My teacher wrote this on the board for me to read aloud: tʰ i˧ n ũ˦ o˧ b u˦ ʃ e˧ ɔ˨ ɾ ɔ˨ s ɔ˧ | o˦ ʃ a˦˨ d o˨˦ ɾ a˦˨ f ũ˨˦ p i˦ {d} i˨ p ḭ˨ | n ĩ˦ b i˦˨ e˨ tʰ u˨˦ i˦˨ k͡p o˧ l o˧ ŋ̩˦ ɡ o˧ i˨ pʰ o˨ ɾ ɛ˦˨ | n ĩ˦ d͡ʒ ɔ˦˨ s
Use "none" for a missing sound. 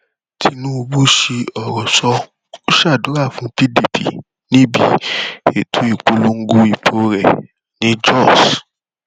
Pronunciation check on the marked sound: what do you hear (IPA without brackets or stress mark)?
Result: d